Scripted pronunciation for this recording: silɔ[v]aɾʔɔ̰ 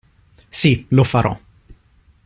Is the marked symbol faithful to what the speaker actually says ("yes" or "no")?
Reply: no